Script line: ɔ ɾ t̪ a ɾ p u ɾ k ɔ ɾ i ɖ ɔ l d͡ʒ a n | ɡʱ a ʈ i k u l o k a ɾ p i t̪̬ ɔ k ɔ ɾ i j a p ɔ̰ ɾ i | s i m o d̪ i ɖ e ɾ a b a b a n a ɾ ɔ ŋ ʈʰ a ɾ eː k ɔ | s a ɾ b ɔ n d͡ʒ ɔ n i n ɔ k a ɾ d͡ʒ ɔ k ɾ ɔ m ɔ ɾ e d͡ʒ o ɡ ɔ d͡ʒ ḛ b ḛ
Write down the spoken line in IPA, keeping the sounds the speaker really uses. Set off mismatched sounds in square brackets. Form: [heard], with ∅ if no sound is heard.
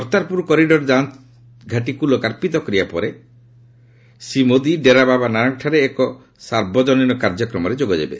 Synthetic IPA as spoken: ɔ ɾ t̪ a ɾ p u ɾ k ɔ ɾ i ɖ ɔ [ɾ] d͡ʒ a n | ɡʱ a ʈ i k u l o k a ɾ p i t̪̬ ɔ k ɔ ɾ i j a p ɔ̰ ɾ [e] | s i m o d̪ i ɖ e ɾ a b a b a n a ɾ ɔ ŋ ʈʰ a ɾ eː k ɔ | s a ɾ b ɔ [∅] d͡ʒ ɔ n i n ɔ k a ɾ d͡ʒ ɔ k ɾ ɔ m ɔ ɾ e d͡ʒ o ɡ ɔ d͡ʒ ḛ b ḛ